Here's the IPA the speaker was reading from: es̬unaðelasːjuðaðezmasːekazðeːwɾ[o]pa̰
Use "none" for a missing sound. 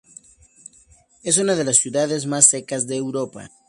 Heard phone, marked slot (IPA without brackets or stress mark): o